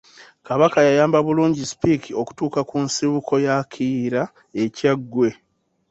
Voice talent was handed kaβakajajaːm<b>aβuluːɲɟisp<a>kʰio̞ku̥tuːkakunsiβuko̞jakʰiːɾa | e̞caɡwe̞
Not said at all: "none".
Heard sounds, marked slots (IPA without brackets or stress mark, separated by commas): b, i